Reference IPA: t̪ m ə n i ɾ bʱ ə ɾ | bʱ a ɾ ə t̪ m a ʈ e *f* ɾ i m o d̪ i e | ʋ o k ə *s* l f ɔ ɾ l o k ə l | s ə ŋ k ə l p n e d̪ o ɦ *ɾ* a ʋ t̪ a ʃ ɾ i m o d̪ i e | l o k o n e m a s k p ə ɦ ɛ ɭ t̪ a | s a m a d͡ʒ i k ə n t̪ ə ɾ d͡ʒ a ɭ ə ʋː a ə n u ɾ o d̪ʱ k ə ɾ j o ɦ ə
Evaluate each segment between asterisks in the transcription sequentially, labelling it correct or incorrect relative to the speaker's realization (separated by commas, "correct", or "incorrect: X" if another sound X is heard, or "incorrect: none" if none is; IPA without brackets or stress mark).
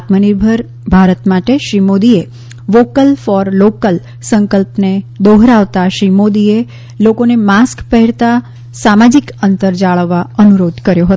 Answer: incorrect: ʃ, incorrect: none, correct